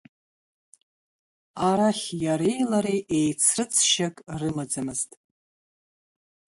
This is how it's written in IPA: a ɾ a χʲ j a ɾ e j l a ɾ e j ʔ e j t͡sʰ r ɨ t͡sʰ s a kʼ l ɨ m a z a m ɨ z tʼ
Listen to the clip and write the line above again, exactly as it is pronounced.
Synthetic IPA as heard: a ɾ a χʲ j a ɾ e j l a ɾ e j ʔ e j t͡sʰ r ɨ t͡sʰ ʃ a kʼ r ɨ m a d͡z a m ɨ z tʼ